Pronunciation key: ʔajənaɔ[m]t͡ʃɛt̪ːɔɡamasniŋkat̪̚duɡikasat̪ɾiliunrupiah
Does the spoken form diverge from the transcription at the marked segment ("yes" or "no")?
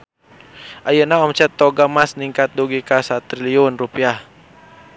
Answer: no